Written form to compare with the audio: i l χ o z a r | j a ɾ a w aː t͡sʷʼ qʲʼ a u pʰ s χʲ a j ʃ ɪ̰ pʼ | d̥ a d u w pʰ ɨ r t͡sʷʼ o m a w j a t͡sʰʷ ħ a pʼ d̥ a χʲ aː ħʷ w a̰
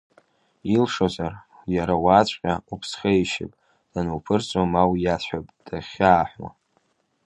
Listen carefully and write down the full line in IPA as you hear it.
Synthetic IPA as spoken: i l ʂ o z a r | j a ɾ a w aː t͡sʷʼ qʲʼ a u pʰ s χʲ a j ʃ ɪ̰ pʼ | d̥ a n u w pʰ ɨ r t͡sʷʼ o m a w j a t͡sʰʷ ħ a pʼ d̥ a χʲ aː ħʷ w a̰